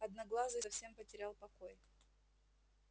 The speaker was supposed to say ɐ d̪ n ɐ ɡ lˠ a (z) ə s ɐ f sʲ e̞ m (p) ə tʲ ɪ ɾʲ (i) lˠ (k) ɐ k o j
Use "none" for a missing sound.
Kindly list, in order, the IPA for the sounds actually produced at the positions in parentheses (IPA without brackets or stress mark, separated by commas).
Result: z, p, a, p